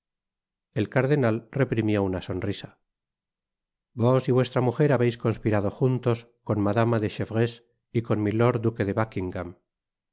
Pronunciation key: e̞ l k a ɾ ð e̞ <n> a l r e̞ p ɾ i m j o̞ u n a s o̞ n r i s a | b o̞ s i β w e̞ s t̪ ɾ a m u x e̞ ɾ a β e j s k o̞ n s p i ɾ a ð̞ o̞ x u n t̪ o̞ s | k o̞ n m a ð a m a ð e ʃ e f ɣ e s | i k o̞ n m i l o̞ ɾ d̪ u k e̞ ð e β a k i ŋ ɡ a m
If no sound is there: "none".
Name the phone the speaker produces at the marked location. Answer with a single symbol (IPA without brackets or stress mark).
n